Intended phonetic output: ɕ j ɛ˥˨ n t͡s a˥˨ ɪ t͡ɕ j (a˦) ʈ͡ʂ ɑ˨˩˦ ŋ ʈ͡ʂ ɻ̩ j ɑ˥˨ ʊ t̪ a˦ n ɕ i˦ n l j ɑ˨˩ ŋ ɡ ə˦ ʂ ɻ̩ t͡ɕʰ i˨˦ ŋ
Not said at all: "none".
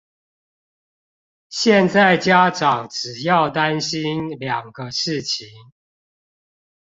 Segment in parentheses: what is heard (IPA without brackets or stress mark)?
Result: a˦